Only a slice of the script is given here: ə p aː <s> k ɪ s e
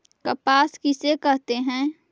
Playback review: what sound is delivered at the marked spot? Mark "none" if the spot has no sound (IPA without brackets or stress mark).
s